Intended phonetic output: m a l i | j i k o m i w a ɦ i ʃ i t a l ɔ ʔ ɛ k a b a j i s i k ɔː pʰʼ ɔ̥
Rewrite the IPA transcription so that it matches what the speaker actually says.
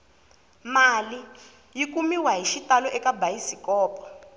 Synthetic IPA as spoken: m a l i | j i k u m i w a ɦ i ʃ i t a l ɔ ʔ ɛ k a b a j i s i k ɔː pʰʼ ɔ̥